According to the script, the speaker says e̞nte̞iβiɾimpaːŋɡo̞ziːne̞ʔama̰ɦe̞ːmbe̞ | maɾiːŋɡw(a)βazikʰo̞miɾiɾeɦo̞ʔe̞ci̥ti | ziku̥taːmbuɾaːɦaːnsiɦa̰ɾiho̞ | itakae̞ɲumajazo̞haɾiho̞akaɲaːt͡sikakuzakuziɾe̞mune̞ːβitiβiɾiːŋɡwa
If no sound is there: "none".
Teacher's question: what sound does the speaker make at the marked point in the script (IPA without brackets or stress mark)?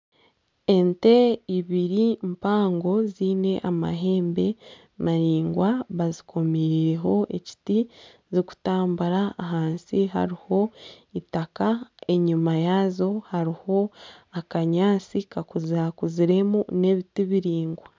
a